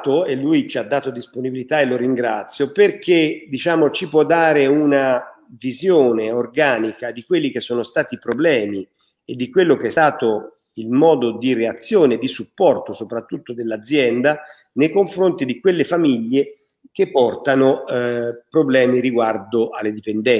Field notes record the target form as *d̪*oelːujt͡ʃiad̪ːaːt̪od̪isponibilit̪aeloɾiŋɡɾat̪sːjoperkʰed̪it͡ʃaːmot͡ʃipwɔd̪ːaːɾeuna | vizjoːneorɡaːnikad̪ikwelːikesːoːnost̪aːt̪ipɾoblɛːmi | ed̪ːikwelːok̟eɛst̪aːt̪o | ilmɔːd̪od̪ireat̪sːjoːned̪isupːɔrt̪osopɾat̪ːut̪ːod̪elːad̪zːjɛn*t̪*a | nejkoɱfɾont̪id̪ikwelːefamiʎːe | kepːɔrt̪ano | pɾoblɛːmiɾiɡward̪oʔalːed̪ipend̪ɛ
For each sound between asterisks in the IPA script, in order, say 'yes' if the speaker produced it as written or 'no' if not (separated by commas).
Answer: no, no